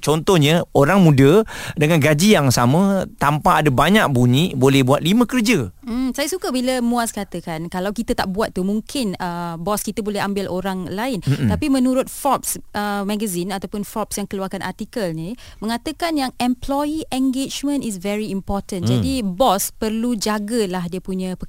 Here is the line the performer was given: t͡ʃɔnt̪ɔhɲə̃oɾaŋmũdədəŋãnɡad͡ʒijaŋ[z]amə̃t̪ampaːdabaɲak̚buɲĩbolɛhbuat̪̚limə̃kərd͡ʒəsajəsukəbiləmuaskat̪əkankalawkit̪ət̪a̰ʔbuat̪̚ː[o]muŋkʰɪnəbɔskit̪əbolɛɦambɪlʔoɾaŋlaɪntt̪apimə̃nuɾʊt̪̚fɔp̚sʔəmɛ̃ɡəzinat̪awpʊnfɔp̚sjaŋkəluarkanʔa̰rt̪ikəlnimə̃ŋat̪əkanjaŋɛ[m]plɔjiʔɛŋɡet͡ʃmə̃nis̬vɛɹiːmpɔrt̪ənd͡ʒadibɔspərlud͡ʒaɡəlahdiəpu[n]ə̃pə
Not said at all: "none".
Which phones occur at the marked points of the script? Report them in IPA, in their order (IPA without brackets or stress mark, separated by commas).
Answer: s, u, m, ɲ